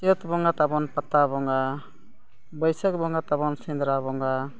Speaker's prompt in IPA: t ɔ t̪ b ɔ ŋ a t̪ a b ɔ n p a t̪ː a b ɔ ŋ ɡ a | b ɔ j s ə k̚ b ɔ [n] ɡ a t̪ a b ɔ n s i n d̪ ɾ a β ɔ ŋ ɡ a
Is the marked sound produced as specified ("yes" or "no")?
no